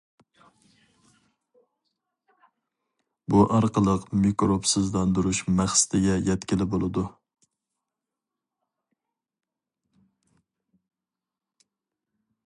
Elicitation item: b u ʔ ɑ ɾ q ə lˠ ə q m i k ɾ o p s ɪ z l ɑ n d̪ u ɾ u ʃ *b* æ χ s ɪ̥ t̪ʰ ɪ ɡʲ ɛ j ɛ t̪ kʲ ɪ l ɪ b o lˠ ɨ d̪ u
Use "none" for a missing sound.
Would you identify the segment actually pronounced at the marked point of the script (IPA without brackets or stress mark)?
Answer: m